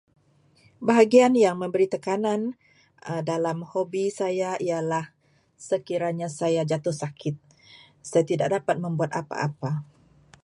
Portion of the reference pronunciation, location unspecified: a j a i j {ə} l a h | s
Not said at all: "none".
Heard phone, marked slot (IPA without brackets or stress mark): a